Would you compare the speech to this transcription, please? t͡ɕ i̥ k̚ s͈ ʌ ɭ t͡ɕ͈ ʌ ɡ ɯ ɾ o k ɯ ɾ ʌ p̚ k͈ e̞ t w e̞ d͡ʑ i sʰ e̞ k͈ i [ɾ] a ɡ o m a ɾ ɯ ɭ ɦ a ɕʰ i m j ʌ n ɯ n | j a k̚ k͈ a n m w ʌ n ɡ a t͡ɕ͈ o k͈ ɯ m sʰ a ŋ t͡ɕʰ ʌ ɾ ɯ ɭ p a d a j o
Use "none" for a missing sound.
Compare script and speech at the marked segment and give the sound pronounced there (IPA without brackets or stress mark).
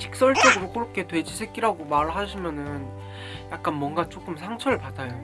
ɾ